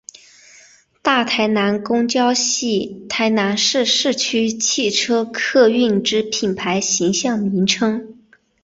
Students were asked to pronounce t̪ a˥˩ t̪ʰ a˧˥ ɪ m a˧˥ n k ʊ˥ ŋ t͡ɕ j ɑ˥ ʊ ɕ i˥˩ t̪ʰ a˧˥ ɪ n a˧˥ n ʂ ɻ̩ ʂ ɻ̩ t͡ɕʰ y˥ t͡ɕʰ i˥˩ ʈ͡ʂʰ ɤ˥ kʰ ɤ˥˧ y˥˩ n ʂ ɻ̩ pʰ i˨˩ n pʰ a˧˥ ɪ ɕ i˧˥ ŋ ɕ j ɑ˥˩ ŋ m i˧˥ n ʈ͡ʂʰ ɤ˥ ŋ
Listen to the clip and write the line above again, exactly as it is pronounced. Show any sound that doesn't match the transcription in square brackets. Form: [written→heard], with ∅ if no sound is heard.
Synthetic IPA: t̪ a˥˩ t̪ʰ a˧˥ ɪ [m→n] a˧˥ n k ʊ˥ ŋ t͡ɕ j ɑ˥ ʊ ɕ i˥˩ t̪ʰ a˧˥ ɪ n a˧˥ n ʂ ɻ̩ ʂ ɻ̩ t͡ɕʰ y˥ t͡ɕʰ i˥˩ ʈ͡ʂʰ ɤ˥ kʰ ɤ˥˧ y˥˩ n [ʂ→ʈ͡ʂ] ɻ̩ pʰ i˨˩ n pʰ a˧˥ ɪ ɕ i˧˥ ŋ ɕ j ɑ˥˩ ŋ m i˧˥ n ʈ͡ʂʰ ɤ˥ ŋ